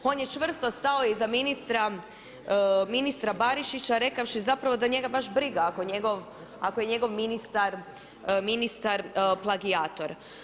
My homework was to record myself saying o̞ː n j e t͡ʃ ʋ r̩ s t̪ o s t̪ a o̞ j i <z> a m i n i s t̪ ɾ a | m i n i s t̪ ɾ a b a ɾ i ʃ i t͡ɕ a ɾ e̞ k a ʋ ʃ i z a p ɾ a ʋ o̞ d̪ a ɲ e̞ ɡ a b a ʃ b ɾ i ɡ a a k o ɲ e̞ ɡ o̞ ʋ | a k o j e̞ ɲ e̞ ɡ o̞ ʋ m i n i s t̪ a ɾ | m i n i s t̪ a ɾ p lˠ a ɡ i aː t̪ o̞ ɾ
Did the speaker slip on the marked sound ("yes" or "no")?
no